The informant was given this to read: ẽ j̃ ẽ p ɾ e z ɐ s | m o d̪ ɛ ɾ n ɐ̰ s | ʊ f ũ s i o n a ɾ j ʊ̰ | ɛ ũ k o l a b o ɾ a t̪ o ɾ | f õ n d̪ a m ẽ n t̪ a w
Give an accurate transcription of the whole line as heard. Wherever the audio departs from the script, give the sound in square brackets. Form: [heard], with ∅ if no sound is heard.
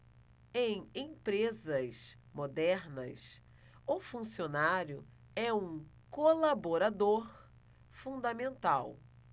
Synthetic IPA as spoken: ẽ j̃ ẽ p ɾ e z ɐ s | m o d̪ ɛ ɾ n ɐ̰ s | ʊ f ũ s i o n a ɾ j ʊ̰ | ɛ ũ k o l a b o ɾ a [d̪] o ɾ | f [ũ] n d̪ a m ẽ n t̪ a w

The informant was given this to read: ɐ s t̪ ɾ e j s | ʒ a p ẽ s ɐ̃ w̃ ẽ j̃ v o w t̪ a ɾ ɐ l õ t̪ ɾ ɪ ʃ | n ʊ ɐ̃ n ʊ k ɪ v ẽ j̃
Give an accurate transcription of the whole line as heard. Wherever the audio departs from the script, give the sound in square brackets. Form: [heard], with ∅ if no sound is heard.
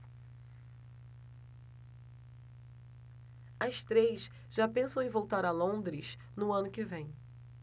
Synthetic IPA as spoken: ɐ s t̪ ɾ e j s | ʒ a p ẽ s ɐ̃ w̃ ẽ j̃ v o w t̪ a ɾ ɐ l õ [d̪] ɾ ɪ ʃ | n ʊ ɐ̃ n ʊ k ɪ v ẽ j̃

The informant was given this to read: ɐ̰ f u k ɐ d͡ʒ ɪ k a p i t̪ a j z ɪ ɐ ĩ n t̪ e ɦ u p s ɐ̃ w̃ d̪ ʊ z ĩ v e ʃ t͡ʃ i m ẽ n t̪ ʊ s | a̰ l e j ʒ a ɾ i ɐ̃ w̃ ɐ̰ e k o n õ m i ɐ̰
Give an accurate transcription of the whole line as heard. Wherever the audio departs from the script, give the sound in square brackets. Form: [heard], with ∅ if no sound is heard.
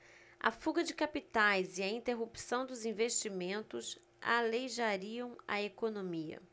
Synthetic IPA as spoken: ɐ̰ f u [ɡ] ɐ d͡ʒ ɪ k a p i t̪ a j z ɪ ɐ ĩ n t̪ e ɦ u p s ɐ̃ w̃ d̪ ʊ z ĩ v e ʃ t͡ʃ i m ẽ n t̪ ʊ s | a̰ l e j ʒ a ɾ i ɐ̃ w̃ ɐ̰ e k o n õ m i ɐ̰

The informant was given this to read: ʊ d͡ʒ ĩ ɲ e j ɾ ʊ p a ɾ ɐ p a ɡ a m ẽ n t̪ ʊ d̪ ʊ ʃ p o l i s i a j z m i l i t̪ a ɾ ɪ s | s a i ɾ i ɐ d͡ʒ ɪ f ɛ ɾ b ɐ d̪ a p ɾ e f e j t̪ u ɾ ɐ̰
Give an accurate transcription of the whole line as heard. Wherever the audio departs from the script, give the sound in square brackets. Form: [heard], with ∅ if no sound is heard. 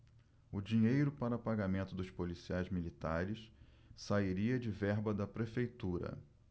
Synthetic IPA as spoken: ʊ d͡ʒ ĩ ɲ e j ɾ ʊ p a ɾ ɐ p a ɡ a m ẽ n t̪ ʊ d̪ ʊ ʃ p o l i s i a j z m i l i t̪ a ɾ ɪ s | s a i ɾ i ɐ d͡ʒ ɪ [v] ɛ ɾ b ɐ d̪ [ɐ] p ɾ e f e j t̪ u ɾ ɐ̰

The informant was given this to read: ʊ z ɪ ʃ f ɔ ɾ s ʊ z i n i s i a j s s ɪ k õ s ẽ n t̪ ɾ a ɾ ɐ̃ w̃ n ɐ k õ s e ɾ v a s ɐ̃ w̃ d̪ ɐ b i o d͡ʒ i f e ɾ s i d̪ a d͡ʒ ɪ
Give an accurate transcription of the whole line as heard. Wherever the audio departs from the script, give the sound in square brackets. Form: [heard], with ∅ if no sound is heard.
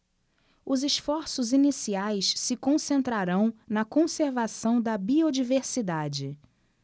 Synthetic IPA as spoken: ʊ z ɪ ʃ f ɔ ɾ s ʊ z i n i s i a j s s ɪ k õ s ẽ n t̪ ɾ a ɾ ɐ̃ w̃ n ɐ k õ s e ɾ v a s ɐ̃ w̃ d̪ ɐ b i o d͡ʒ i [v] e ɾ s i d̪ a d͡ʒ ɪ

